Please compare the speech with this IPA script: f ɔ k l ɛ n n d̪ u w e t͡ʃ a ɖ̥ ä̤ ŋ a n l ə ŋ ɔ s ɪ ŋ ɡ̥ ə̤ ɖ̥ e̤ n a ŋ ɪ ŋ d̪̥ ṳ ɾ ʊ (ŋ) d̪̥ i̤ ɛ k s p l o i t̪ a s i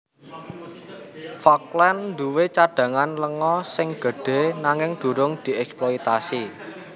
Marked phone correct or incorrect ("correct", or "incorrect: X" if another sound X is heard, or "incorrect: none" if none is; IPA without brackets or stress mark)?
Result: correct